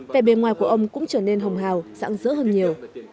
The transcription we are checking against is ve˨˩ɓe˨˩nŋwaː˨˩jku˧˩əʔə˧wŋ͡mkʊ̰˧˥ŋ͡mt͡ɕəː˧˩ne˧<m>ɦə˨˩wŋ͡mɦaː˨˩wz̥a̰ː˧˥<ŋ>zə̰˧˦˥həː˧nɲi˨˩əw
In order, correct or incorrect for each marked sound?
incorrect, correct

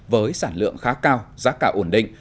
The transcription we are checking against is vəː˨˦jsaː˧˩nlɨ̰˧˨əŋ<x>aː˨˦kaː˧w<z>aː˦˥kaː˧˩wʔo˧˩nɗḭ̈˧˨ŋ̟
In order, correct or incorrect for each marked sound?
correct, correct

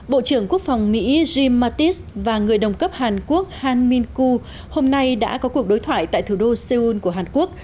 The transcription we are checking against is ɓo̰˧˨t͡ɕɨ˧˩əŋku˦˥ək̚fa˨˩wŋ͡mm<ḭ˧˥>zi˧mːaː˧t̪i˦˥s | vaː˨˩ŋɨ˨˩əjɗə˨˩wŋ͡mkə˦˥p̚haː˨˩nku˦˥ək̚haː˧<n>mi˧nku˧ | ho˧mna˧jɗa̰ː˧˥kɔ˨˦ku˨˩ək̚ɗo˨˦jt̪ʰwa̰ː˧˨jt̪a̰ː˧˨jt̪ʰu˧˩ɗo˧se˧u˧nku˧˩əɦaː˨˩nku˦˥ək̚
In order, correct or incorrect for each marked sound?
correct, correct

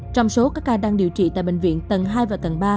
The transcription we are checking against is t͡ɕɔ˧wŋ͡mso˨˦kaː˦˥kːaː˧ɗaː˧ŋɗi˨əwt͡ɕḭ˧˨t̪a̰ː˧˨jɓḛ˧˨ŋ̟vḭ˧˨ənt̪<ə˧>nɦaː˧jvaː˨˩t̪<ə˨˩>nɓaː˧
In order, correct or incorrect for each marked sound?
incorrect, correct

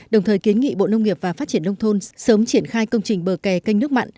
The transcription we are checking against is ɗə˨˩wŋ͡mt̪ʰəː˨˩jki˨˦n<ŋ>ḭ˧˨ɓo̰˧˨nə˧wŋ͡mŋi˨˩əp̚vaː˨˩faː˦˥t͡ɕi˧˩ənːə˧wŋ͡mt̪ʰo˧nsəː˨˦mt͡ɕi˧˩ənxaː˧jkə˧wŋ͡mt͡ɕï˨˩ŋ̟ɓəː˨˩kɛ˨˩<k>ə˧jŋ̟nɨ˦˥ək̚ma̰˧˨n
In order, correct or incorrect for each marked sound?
correct, correct

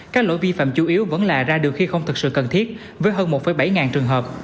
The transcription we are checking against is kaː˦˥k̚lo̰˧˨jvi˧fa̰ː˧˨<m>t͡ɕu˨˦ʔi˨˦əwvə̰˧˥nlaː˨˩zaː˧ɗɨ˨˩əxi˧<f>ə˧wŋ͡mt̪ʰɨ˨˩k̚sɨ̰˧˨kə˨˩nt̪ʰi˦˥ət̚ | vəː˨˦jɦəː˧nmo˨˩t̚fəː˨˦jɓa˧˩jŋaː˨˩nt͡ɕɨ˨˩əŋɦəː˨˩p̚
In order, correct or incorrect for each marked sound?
correct, incorrect

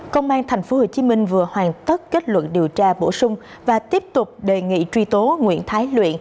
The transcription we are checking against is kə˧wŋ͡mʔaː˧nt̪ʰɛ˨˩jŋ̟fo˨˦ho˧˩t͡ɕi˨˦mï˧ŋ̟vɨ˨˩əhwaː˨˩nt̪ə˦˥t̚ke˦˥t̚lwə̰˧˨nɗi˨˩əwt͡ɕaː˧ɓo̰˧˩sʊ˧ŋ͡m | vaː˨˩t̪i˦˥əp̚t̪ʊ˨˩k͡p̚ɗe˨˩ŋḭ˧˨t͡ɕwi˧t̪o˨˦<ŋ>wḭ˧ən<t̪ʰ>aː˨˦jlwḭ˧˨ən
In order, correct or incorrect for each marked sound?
correct, correct

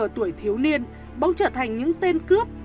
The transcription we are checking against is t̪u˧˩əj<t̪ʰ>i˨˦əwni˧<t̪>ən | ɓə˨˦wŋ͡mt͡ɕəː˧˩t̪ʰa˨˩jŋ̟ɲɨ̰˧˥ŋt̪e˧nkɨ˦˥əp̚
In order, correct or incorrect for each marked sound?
correct, incorrect

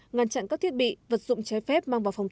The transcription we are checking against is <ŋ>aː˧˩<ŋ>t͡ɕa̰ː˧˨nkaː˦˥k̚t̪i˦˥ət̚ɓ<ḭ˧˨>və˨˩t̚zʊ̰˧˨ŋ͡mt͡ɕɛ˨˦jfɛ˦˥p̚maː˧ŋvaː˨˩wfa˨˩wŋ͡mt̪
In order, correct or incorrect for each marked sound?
correct, incorrect, correct

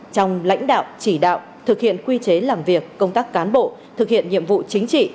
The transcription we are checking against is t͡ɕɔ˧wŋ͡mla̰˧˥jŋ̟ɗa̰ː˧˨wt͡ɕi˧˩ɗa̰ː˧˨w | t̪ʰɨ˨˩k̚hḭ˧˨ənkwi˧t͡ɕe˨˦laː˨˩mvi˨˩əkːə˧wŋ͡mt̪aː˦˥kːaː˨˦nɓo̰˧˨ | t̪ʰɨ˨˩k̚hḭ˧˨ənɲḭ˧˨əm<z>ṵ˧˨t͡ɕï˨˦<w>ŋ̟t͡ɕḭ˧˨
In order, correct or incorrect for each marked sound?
incorrect, incorrect

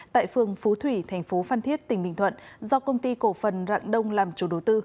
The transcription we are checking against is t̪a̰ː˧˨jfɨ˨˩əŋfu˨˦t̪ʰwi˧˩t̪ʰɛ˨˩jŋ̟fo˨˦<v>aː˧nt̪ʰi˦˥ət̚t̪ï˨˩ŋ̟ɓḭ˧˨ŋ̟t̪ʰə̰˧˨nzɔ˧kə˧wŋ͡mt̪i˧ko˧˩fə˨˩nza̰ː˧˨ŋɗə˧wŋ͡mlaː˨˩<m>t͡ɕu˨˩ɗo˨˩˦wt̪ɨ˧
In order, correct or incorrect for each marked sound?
incorrect, correct

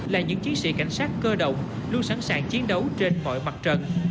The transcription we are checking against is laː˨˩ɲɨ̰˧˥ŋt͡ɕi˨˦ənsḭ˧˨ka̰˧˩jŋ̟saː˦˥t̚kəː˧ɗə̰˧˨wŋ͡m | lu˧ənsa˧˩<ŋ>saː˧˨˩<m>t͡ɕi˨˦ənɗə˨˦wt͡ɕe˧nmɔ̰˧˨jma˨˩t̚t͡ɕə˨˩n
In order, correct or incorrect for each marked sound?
incorrect, incorrect

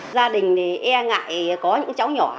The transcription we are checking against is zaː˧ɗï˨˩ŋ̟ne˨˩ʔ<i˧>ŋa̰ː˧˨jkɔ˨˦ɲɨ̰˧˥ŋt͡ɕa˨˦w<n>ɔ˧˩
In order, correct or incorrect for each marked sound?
incorrect, incorrect

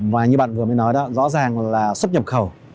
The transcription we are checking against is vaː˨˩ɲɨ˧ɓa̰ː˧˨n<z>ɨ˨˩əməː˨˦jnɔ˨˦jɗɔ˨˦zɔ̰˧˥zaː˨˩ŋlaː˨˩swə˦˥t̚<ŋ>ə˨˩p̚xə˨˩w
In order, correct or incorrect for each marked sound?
incorrect, incorrect

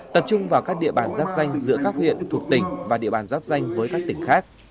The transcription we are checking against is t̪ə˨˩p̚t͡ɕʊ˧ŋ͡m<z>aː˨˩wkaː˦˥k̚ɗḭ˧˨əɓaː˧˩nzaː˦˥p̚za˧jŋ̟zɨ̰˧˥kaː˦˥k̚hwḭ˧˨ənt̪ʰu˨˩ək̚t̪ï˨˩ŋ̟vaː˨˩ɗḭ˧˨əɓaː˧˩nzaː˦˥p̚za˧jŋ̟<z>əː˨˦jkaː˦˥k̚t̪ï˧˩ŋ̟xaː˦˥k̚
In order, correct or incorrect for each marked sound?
incorrect, incorrect

